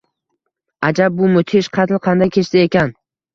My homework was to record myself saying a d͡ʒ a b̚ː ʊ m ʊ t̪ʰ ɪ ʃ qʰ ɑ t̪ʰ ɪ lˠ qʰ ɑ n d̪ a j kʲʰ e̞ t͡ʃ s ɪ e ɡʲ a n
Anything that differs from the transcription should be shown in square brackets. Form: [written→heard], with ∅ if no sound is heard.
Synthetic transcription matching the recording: a d͡ʒ a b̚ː ʊ m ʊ t̪ʰ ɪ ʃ qʰ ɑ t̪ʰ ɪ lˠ qʰ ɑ n d̪ a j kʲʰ e̞ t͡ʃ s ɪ e [ɡʲ→kʲ] a n